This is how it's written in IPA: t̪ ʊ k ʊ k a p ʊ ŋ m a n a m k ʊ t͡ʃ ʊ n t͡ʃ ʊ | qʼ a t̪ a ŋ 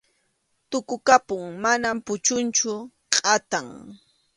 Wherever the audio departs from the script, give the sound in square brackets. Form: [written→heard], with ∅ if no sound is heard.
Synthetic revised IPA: t̪ ʊ k ʊ k a p ʊ ŋ m a n a m [k→p] ʊ t͡ʃ ʊ n t͡ʃ ʊ | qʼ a t̪ a ŋ